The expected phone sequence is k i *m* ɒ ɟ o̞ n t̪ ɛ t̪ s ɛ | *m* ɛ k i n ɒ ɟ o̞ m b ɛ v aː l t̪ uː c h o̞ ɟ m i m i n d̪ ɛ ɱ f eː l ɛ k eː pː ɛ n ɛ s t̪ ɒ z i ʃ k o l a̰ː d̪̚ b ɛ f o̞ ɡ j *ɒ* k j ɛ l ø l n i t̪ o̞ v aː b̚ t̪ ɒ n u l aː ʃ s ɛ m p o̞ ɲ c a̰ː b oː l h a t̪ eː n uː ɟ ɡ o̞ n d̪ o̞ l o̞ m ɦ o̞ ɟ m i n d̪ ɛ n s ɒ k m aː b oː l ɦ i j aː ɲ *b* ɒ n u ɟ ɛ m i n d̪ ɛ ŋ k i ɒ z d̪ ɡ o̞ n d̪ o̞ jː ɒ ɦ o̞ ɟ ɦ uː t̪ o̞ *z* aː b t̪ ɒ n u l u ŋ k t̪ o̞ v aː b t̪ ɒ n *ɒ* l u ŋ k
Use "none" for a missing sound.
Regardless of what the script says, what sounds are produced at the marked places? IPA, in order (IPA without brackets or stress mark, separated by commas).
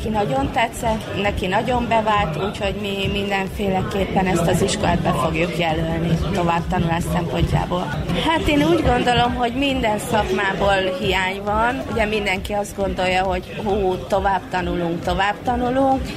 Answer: n, n, u, v, v, u